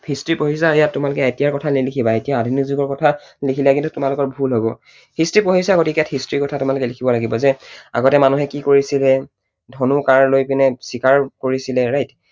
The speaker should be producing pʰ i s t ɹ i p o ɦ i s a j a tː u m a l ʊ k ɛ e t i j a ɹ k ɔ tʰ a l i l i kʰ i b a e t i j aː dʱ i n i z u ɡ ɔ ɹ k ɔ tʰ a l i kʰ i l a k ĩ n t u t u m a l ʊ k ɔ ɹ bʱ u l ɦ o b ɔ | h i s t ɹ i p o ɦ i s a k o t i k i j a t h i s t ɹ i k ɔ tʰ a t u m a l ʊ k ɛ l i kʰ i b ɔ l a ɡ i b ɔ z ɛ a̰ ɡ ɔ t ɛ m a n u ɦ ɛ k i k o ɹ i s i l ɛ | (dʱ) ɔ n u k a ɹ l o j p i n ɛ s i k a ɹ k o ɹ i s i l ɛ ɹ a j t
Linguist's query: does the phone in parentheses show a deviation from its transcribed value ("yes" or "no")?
no